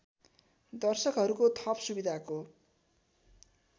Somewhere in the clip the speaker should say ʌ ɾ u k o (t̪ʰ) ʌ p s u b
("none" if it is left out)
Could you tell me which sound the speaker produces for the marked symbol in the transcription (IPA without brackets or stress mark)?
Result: t̪ʰ